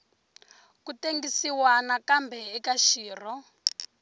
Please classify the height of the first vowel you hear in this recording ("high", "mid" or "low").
high